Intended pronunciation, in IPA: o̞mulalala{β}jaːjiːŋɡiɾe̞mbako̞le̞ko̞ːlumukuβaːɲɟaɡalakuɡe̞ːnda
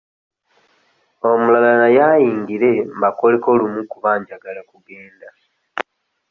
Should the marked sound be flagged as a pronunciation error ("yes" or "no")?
yes